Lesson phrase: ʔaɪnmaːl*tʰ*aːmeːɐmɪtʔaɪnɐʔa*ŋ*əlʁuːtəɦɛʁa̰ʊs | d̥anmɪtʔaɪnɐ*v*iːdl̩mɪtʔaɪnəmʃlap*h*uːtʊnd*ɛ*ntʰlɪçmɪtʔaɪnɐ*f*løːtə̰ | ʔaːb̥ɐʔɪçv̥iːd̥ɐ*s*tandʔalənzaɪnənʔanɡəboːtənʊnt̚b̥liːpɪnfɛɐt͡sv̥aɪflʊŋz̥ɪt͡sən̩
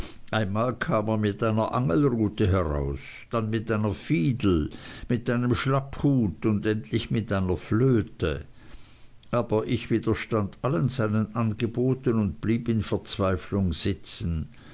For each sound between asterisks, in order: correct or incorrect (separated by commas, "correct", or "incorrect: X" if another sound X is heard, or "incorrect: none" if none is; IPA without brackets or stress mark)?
incorrect: kʰ, correct, incorrect: f, correct, correct, correct, incorrect: ʃ